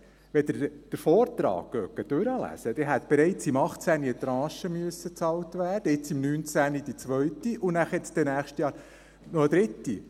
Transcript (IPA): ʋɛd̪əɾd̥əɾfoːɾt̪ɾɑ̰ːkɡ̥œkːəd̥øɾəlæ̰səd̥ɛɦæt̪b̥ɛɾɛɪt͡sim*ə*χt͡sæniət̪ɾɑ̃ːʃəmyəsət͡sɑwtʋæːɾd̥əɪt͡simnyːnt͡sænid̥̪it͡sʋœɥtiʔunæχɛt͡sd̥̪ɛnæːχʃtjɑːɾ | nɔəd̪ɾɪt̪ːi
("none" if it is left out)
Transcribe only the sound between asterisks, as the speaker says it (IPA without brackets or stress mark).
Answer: ɑ